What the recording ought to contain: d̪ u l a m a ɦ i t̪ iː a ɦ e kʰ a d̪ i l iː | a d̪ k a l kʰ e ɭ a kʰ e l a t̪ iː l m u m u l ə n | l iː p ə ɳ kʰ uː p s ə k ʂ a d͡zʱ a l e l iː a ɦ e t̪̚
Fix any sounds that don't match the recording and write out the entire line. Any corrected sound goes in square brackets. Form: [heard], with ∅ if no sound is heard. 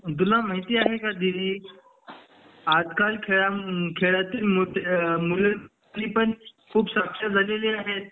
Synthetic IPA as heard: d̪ u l a m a ɦ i t̪ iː a ɦ e [k] a d̪ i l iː | a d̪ k a l kʰ e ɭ a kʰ e [ɭ] a t̪ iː l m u m u l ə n | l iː p ə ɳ kʰ uː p s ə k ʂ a d͡zʱ a l e l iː a ɦ e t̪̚